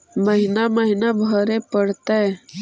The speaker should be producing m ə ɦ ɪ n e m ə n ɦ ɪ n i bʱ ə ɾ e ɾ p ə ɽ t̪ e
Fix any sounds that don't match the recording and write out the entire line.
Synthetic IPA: m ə ɦ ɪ n a m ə ɦ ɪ n a bʱ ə ɾ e p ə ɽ t̪ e

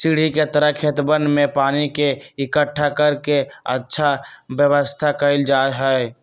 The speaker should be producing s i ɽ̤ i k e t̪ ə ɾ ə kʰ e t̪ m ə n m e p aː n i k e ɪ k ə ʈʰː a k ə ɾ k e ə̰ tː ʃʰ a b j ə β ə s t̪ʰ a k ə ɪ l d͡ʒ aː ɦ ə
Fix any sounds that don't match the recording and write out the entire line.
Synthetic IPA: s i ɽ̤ i k e t̪ ə ɾ ə kʰ e t̪ b ə n m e p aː n i k e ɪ k ə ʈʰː a k ə ɾ k e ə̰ tː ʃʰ a b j ə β ə s t̪ʰ a k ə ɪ l d͡ʒ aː ɦ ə

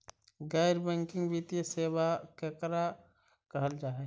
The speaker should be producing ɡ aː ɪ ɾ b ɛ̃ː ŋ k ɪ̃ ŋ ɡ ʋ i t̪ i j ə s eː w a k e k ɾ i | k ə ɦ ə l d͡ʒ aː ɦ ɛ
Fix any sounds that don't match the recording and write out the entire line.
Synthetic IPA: ɡ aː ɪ ɾ b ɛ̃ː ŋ k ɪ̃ ŋ ɡ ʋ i t̪ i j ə s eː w a k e k ɾ a | k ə ɦ ə l d͡ʒ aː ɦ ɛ

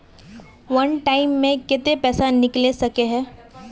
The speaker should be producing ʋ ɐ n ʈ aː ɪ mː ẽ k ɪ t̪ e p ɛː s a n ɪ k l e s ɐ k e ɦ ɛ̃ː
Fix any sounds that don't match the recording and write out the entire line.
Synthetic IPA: ʋ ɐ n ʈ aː ɪ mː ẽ k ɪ t̪ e p ɛː s a n ɪ k l e s ɐ k e ɦ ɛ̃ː

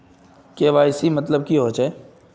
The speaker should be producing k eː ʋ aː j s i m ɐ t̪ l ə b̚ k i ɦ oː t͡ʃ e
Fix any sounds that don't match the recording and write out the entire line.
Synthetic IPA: k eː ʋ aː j s i m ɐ t̪ l ə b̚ k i ɦ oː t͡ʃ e

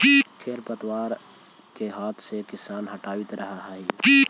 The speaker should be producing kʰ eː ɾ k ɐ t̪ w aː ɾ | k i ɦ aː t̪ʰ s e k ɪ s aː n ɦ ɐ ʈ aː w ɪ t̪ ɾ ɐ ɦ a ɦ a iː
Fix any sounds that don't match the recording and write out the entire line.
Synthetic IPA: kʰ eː ɾ p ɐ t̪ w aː ɾ | k e ɦ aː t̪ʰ s e k ɪ s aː n ɦ ɐ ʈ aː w ɪ t̪ ɾ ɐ ɦ a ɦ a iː

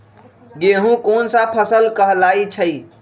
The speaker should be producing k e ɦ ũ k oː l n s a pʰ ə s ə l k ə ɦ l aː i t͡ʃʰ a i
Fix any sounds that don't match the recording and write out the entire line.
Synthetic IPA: ɡ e ɦ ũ k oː n s a pʰ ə s ə l k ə ɦ l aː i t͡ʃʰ ə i

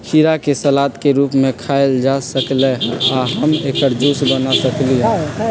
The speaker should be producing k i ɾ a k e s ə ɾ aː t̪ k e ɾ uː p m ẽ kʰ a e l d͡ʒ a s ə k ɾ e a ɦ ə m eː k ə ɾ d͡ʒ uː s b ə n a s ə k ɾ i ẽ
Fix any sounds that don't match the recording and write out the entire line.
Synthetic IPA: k i ɾ a k e s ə l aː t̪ k e ɾ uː p m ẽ kʰ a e l d͡ʒ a s ə k l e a ɦ ə m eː k ə ɾ d͡ʒ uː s b ə n a s ə k l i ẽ

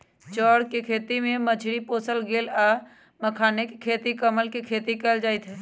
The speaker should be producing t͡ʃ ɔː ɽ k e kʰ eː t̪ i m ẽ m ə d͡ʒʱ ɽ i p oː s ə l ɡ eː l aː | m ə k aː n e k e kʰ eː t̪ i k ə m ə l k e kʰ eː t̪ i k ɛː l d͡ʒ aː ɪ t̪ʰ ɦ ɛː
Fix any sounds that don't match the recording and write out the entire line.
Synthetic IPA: t͡ʃ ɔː ɽ k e kʰ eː t̪ i m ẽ m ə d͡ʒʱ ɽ i p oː s ə l ɡ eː l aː | m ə kʰ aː n e k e kʰ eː t̪ i k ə m ə l k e kʰ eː t̪ i k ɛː l d͡ʒ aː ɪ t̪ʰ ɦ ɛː

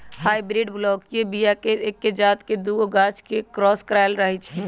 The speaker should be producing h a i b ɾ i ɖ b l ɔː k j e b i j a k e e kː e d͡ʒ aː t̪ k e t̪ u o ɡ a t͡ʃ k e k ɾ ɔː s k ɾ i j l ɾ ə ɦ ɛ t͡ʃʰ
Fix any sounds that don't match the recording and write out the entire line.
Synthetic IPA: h a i b ɾ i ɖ b l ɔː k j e b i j a k e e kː e d͡ʒ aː t̪ k e d̪ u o ɡ a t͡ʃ k e k ɾ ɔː s k ɾ a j l ɾ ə ɦ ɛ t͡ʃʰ

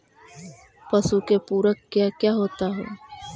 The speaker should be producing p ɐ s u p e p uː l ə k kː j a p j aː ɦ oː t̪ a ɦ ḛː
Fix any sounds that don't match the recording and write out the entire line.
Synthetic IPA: p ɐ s u k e p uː ɾ ə k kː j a k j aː ɦ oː t̪ a ɦ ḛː

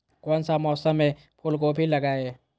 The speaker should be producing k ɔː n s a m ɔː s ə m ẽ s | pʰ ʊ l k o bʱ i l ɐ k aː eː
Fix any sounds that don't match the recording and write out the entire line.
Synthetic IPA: k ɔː n s a m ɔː s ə m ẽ | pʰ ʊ l k o bʱ i l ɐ ɡ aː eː

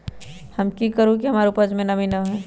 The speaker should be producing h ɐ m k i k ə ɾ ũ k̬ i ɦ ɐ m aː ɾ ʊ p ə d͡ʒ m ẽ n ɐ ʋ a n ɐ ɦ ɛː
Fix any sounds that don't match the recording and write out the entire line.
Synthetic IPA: h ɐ m k i k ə ɾ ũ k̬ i ɦ ɐ m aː ɾ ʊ p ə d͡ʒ m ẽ n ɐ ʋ i n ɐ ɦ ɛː

